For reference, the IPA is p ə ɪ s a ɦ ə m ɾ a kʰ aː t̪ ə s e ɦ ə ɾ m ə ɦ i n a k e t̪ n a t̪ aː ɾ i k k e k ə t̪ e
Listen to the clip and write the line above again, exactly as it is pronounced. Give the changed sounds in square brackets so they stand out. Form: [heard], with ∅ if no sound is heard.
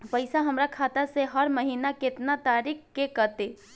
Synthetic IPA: p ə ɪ s a ɦ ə m ɾ a kʰ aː t̪ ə s e ɦ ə ɾ m ə ɦ i n a k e t̪ n a t̪ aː ɾ i k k e k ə t̪ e